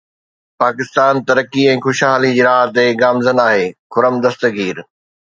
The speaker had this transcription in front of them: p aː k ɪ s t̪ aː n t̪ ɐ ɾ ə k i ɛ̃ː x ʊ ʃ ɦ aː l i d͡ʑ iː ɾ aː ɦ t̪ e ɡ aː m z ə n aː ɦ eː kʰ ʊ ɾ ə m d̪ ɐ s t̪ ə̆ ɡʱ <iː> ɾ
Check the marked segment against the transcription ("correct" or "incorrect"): correct